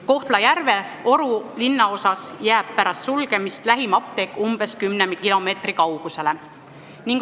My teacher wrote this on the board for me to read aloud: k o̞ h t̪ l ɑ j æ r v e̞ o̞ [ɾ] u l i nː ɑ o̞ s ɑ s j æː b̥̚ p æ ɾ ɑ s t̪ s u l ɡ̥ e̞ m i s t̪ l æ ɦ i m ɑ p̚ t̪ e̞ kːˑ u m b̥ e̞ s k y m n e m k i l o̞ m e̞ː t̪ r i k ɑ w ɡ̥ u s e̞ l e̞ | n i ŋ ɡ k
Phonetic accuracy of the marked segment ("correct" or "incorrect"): correct